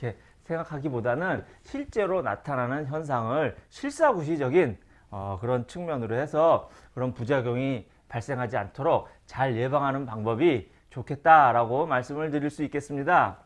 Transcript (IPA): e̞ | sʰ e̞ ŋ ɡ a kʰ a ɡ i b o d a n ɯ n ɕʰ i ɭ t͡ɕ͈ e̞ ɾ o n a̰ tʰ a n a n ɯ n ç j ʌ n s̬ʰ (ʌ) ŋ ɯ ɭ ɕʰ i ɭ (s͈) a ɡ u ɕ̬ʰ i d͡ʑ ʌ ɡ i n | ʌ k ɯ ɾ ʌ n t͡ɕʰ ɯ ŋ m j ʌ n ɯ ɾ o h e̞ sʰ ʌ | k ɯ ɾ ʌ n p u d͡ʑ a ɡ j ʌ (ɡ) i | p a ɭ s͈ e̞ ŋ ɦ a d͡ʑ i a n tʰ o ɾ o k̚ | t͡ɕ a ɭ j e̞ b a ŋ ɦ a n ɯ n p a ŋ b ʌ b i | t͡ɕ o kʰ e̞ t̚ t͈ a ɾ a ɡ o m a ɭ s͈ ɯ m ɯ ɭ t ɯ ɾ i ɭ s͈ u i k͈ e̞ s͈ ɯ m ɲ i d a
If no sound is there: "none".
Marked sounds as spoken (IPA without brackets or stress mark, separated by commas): a, s͈, ŋ